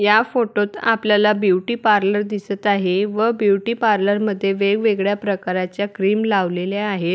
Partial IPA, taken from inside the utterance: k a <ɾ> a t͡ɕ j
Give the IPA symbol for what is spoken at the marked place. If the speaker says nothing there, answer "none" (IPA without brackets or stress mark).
ɾ